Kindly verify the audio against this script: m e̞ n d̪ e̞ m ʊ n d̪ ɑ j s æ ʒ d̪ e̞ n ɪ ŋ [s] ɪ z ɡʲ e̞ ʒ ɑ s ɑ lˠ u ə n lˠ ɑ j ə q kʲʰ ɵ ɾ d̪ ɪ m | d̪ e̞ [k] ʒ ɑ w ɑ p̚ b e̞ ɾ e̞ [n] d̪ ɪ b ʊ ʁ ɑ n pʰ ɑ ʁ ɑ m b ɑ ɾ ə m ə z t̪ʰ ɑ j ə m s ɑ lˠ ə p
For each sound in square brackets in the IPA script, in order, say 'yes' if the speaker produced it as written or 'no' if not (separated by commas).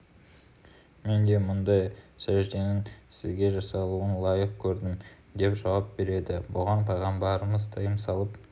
yes, no, no